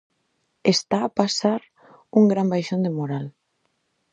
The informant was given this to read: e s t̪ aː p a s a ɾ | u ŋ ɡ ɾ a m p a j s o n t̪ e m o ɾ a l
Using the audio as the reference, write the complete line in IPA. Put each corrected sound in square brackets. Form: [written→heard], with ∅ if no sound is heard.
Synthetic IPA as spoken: e s t̪ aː p a s a ɾ | u ŋ ɡ ɾ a m [p→b] a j [s→ʃ] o n [t̪→d̪] e m o ɾ a l